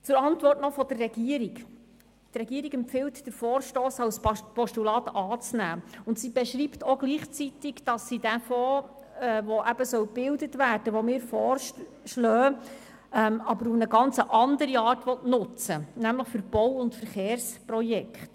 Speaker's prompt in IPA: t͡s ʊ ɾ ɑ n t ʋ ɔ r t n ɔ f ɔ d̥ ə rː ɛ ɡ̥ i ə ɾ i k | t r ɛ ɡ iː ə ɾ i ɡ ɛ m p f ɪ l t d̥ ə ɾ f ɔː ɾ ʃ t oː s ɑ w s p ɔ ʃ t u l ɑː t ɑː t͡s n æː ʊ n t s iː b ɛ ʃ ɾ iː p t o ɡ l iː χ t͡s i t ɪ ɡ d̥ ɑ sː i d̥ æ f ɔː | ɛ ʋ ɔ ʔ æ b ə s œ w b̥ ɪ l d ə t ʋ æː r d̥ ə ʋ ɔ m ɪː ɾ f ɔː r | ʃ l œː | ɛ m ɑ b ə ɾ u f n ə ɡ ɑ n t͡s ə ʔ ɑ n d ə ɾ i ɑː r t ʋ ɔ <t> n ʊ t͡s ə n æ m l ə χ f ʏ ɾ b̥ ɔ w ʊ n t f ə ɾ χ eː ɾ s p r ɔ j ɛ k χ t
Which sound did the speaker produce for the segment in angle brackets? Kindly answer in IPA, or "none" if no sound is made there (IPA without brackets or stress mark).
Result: t